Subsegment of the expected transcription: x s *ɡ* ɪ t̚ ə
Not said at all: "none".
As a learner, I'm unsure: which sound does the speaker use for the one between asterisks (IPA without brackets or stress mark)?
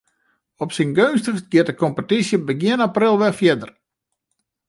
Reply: ɡ